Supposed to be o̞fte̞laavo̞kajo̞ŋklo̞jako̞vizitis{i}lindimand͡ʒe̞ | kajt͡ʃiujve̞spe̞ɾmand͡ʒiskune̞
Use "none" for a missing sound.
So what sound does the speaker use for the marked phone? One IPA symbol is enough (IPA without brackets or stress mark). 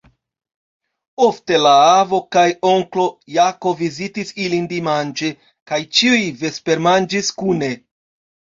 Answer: i